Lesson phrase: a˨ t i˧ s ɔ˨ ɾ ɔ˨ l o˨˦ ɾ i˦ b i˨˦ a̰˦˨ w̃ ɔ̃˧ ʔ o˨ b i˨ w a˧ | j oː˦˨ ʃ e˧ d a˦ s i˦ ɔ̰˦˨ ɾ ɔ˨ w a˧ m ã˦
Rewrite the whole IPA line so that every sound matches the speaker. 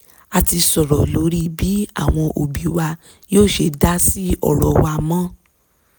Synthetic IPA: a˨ t i˧ s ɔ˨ ɾ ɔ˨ l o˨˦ ɾ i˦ b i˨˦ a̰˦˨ w̃ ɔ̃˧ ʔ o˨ b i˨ w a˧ | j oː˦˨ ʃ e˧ d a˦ s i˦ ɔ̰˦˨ ɾ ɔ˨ w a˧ m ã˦

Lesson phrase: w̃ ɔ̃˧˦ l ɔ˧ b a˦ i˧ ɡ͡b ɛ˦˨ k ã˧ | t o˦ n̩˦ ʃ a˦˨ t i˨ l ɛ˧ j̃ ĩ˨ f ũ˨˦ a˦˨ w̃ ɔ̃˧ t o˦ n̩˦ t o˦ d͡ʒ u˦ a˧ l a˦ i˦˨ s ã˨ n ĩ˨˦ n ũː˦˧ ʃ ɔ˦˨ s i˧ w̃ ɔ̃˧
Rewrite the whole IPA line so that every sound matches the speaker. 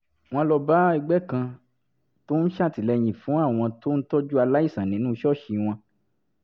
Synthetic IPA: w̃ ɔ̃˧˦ l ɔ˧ b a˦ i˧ ɡ͡b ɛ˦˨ k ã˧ | t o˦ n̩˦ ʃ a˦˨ t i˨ l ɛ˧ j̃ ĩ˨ f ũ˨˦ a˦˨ w̃ ɔ̃˧ t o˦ n̩˦ t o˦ d͡ʒ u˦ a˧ l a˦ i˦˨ s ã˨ n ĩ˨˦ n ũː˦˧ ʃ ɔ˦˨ ʃ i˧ w̃ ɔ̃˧

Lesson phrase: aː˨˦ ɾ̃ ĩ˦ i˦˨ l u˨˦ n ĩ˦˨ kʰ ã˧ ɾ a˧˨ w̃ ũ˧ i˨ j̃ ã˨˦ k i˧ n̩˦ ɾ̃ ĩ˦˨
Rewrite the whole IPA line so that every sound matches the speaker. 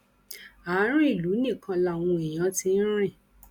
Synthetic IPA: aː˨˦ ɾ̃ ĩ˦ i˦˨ l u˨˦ n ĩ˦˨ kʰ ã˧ l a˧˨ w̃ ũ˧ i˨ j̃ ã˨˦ t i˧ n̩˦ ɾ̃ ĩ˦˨

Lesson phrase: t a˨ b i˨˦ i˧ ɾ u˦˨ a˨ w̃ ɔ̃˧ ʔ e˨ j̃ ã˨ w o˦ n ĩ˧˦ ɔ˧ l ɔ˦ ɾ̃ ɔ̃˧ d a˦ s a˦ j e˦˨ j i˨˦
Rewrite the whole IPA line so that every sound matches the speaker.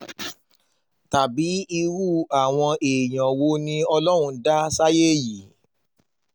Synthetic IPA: t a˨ b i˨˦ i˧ ɾ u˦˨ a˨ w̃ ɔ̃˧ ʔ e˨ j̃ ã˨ w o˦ n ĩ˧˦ ɔ˧ l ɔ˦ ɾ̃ ũ˧ d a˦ s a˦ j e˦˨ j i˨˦

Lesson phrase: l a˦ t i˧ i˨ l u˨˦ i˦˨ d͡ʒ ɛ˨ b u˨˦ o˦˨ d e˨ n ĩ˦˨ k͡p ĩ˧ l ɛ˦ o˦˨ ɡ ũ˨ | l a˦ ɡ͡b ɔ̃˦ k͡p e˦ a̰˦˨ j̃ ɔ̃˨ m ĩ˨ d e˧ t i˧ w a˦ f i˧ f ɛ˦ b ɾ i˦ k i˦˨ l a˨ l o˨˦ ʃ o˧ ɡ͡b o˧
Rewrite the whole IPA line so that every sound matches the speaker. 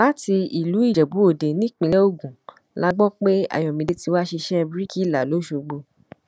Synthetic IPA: l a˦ t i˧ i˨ l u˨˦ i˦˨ d͡ʒ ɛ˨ b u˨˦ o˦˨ d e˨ n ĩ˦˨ k͡p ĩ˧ l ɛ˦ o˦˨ ɡ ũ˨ | l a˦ ɡ͡b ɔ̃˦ k͡p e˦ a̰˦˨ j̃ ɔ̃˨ m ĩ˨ d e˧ t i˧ w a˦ ʃ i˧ ʃ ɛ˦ b ɾ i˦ k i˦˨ l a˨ l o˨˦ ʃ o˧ ɡ͡b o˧

